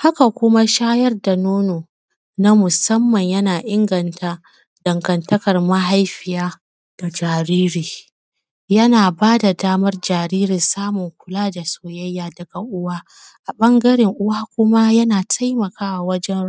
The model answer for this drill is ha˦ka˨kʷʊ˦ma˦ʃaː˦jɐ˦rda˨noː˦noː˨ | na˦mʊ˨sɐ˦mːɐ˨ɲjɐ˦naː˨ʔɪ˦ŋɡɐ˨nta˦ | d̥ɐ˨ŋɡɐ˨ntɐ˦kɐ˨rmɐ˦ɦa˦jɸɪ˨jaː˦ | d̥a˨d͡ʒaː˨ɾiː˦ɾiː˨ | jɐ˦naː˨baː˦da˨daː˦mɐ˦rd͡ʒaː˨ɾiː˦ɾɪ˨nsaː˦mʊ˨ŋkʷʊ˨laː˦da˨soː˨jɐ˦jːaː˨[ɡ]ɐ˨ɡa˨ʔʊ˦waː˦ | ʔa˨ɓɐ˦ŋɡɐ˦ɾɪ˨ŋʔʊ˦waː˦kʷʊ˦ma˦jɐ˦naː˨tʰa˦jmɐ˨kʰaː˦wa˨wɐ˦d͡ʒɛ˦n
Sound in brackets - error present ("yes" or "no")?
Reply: yes